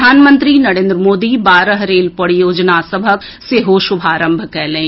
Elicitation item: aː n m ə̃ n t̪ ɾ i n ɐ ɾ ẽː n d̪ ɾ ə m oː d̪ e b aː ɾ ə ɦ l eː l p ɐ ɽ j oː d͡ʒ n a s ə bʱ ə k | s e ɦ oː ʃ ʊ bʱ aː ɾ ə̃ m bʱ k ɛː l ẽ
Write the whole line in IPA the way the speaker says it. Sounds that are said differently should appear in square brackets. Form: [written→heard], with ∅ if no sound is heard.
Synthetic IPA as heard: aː n m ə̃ n t̪ ɾ i n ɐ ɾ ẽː n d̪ ɾ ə m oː d̪ [e→i] b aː ɾ ə ɦ [l→ɾ] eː l p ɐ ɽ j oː d͡ʒ n a s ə bʱ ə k | s e ɦ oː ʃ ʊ bʱ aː ɾ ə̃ m bʱ k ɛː l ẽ